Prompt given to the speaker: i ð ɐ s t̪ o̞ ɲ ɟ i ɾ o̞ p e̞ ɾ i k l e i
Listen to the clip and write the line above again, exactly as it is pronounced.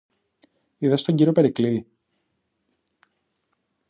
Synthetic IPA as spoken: i ð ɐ s t̪ o̞ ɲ ɟ i ɾ o̞ p e̞ ɾ i k l i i